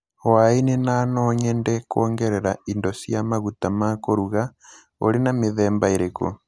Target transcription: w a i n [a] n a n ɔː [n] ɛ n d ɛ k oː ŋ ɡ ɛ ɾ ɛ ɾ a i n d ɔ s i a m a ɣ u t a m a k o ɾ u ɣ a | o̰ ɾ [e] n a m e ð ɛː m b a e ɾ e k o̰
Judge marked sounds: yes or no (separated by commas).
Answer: no, no, yes